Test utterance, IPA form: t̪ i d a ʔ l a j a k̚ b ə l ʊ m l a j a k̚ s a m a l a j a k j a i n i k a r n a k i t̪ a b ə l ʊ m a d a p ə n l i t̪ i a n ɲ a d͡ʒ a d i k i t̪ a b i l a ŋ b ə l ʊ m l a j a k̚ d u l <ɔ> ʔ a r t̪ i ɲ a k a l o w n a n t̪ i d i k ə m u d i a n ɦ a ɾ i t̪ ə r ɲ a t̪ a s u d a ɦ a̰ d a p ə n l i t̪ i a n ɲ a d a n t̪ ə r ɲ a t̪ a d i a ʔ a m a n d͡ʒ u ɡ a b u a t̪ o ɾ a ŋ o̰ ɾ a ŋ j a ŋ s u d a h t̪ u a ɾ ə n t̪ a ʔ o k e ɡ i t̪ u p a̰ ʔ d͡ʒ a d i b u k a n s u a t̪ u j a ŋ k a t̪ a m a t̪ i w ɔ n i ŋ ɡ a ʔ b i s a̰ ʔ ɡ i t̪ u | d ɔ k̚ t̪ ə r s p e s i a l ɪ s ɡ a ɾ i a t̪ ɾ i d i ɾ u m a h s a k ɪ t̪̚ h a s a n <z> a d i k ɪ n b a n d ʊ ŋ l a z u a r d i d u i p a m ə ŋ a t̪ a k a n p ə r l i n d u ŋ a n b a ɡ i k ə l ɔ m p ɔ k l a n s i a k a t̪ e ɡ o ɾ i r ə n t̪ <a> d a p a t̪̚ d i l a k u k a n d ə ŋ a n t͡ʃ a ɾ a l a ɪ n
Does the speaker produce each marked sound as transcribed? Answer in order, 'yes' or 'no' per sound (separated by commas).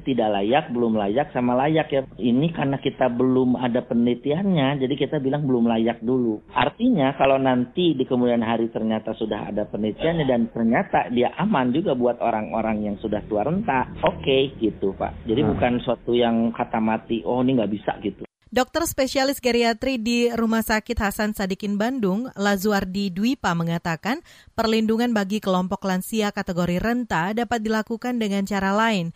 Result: no, no, yes